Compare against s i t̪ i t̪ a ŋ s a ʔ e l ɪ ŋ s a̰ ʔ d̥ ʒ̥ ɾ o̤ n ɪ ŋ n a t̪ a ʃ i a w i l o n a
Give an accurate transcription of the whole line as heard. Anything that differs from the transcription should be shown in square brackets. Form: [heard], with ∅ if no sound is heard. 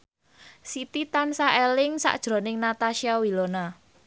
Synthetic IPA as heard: s i t̪ i t̪ a [n] s a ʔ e l ɪ ŋ s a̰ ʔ d̥ ʒ̥ ɾ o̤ n ɪ ŋ n a t̪ a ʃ i a w i l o n a